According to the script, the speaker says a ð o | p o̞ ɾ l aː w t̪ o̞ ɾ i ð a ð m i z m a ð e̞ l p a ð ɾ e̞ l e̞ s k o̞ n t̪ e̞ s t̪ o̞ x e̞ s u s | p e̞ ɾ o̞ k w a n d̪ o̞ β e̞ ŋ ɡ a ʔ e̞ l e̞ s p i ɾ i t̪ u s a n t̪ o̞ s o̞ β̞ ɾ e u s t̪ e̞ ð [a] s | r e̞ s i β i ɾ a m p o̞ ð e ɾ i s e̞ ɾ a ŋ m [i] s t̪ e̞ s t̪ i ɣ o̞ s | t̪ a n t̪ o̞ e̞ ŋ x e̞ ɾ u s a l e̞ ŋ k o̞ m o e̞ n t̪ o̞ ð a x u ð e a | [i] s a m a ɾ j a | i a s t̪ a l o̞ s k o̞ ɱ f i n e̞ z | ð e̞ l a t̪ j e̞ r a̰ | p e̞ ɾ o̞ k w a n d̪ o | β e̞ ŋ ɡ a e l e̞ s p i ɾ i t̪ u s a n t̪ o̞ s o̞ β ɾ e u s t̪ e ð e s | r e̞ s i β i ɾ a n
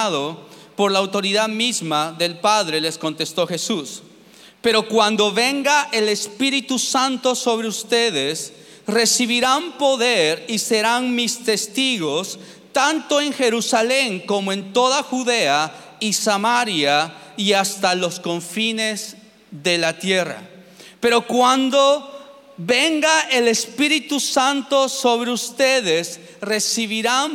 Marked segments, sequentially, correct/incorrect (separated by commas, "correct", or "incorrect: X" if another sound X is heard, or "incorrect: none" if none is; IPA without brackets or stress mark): incorrect: e, correct, correct